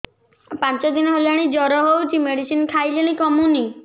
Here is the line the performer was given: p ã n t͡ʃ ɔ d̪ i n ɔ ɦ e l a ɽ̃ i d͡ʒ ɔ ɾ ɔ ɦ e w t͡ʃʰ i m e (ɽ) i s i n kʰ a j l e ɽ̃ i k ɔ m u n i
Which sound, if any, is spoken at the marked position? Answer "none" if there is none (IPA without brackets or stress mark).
ɽ